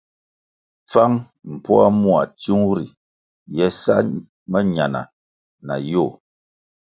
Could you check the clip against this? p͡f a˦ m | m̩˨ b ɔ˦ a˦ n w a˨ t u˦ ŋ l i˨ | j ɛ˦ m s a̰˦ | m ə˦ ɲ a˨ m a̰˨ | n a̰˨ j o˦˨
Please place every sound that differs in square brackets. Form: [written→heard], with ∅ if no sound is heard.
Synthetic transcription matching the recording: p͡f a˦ [m→ŋ] | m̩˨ [b→p] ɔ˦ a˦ [n→m] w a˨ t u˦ ŋ [l→ɾ] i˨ | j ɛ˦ [m→∅] s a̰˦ | m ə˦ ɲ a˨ [m→n] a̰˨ | n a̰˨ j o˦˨